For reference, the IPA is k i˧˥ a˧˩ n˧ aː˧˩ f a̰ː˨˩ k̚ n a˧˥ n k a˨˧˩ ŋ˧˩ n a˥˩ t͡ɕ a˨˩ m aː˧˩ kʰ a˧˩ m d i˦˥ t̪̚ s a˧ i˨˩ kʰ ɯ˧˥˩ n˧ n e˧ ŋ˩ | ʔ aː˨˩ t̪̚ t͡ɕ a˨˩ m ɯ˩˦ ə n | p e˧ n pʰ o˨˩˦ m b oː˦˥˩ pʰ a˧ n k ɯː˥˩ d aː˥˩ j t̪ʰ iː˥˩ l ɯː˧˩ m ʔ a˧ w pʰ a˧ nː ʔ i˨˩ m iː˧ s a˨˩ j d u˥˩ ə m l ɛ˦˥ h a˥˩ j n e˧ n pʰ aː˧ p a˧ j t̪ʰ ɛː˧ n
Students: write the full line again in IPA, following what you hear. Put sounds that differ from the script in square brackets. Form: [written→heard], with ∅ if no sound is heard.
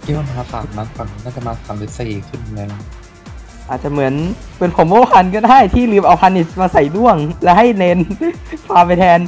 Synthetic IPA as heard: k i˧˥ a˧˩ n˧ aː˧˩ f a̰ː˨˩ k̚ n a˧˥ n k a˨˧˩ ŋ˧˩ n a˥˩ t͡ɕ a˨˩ m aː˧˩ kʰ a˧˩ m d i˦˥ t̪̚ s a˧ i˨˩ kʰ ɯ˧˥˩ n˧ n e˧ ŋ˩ | ʔ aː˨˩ t̪̚ t͡ɕ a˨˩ m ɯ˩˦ ə n | p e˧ n pʰ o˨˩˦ m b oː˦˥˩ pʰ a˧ n k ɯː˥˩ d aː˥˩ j t̪ʰ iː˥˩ l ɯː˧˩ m ʔ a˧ w pʰ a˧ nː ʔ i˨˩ m [iː˧→aː˧] s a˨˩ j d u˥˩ ə [m→ŋ] l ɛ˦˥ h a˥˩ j n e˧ n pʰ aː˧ p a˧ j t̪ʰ ɛː˧ n